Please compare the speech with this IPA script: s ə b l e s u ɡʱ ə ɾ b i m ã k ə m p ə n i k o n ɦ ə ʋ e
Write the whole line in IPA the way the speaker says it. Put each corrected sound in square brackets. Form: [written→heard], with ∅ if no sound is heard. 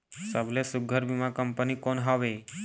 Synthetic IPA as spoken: s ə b l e s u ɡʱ ə ɾ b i m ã k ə m p ə n i k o n ɦ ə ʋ e